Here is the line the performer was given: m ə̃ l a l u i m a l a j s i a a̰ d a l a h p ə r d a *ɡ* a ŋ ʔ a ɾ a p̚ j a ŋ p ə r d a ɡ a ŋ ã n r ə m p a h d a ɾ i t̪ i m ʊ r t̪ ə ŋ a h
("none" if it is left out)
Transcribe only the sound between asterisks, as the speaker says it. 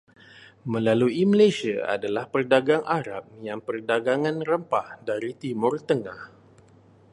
ɡ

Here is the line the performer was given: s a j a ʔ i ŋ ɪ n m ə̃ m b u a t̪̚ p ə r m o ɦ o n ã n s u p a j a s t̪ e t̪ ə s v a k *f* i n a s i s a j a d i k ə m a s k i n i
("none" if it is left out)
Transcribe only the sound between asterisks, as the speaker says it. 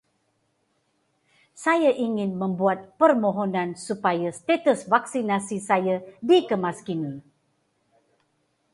s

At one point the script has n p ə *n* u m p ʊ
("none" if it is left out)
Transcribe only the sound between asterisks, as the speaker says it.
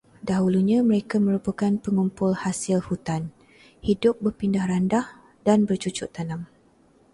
ŋ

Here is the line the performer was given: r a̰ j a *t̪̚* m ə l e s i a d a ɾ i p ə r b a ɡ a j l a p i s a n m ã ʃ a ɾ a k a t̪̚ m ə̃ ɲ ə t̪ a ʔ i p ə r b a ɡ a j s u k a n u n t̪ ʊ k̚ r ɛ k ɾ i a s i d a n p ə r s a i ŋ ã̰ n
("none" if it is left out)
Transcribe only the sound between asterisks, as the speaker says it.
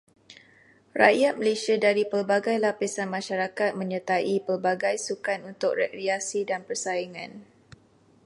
t̪̚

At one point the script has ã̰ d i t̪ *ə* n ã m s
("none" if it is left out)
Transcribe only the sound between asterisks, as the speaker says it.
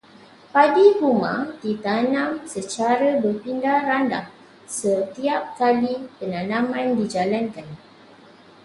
a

